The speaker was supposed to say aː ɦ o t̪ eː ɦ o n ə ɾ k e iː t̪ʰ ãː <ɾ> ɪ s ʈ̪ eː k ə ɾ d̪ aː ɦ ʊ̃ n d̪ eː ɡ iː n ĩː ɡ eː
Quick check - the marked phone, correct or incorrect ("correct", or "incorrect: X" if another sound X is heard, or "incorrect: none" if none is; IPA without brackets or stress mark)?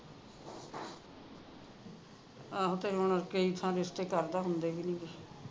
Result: correct